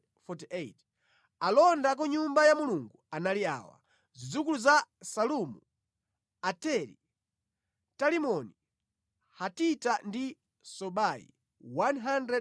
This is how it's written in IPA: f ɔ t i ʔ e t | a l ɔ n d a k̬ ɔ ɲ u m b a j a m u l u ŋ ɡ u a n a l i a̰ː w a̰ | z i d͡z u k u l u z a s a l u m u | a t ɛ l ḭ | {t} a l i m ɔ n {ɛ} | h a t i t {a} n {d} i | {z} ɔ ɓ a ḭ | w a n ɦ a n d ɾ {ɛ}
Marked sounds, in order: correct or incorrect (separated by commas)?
correct, incorrect, correct, correct, incorrect, correct